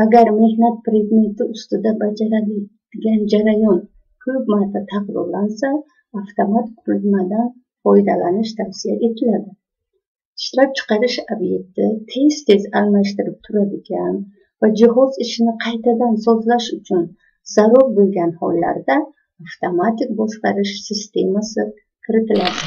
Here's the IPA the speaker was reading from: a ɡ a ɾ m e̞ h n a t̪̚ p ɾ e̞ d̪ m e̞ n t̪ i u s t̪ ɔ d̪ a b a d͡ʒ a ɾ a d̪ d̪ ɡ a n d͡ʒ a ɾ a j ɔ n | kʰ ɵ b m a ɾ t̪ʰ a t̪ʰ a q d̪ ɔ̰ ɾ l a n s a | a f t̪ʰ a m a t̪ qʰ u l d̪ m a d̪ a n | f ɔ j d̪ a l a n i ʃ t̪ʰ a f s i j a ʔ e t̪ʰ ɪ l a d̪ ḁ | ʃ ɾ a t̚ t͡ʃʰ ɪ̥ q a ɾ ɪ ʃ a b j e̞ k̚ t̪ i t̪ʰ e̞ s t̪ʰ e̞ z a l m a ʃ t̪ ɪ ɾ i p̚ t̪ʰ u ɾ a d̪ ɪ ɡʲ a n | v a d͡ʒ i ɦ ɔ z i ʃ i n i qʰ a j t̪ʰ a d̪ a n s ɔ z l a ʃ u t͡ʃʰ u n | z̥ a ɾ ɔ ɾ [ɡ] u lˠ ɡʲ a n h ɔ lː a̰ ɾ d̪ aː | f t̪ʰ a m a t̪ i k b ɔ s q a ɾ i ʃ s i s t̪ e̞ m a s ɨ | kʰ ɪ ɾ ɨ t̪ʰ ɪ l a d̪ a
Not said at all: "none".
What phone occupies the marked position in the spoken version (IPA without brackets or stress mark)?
b